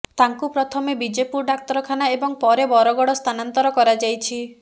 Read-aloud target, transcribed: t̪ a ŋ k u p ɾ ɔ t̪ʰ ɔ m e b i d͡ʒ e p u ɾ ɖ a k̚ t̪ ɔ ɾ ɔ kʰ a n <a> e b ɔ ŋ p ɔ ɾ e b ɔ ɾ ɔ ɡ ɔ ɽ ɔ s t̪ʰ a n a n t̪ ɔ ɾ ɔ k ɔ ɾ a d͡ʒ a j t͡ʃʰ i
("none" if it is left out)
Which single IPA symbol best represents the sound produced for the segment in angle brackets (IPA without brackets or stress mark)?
a